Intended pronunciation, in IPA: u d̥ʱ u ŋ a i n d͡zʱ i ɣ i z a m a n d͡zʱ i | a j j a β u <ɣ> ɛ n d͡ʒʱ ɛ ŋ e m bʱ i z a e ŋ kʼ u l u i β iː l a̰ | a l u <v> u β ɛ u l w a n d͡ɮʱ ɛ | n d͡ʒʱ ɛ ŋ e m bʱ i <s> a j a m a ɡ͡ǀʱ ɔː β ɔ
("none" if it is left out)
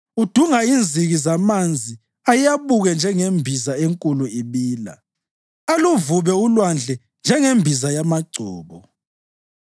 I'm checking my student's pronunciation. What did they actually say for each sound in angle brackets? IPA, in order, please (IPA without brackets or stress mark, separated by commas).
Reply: ɣ, v, z